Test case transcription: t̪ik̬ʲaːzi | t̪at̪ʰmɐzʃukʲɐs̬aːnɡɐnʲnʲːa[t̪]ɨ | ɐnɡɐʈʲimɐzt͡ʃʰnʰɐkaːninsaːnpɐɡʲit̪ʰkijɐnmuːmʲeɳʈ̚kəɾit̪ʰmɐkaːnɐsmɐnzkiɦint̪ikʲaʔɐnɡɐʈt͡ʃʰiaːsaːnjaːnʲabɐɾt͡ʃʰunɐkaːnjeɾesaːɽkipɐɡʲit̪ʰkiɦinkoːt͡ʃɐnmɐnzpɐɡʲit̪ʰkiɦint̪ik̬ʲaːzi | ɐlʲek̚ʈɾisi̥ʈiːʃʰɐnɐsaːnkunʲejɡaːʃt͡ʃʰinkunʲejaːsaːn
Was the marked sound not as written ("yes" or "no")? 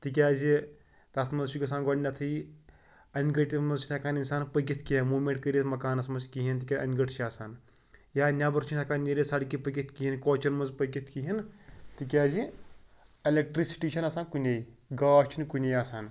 yes